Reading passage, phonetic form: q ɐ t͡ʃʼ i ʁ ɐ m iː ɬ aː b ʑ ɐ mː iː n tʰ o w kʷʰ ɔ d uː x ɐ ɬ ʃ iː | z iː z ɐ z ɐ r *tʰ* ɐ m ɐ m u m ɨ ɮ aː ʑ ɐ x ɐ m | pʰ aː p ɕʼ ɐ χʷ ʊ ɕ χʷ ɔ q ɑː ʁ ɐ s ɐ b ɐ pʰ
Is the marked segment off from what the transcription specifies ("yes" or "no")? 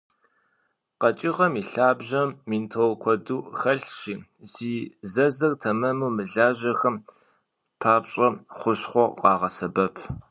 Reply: no